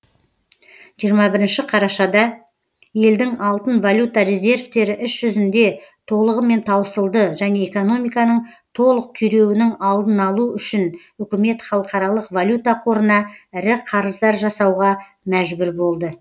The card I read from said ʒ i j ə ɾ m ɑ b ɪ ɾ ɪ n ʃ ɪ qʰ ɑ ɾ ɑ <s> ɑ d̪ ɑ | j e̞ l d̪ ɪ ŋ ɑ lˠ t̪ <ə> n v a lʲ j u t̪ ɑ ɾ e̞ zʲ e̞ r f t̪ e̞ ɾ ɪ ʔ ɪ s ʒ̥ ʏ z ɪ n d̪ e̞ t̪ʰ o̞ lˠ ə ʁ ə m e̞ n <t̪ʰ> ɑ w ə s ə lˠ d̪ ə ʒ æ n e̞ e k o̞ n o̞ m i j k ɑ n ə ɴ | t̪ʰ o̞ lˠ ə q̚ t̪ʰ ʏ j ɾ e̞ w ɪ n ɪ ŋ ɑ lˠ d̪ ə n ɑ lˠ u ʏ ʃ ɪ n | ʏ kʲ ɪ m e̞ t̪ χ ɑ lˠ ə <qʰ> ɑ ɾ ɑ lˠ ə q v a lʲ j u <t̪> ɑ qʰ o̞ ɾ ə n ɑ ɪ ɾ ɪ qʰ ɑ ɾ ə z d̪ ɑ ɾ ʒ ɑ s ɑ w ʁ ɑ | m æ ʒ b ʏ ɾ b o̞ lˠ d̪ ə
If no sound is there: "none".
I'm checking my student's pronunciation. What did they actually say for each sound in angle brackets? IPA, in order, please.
ʃ, ə, t̪ʰ, q, t̪

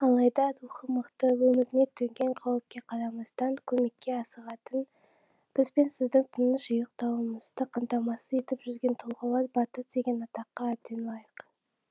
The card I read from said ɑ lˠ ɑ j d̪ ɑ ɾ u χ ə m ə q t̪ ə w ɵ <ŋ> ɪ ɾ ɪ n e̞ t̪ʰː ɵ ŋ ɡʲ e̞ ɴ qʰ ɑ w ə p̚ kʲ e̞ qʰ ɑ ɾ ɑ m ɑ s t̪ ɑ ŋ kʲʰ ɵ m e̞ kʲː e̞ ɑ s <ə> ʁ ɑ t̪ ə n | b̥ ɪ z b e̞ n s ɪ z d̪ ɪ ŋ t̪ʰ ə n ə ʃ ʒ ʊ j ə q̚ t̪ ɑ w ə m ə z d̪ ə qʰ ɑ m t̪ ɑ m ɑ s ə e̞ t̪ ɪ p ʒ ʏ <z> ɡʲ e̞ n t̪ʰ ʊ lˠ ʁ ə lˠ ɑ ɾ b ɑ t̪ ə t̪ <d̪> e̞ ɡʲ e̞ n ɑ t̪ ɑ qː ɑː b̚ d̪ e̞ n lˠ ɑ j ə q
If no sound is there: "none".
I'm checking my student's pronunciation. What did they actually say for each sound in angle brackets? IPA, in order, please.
m, ə, z, d̪

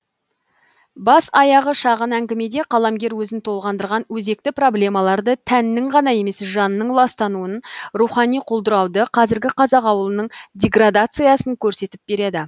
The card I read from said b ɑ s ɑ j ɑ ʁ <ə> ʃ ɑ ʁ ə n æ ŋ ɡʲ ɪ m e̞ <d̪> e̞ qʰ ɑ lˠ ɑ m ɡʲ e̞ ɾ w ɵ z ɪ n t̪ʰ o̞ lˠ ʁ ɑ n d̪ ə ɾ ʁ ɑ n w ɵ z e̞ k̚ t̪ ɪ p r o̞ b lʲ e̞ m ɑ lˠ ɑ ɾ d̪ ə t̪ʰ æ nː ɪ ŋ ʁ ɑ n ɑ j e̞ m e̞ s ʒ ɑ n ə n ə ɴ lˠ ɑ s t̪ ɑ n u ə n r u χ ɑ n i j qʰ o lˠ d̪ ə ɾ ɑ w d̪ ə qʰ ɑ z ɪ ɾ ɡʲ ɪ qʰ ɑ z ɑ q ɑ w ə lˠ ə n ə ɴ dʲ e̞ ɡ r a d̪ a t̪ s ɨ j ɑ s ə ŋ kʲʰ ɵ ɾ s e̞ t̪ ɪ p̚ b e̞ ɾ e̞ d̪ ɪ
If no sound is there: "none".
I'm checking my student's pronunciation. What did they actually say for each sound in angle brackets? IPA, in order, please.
ə, d̪

